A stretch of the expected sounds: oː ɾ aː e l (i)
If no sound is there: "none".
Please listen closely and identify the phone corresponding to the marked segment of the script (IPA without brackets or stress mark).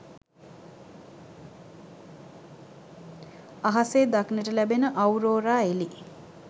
i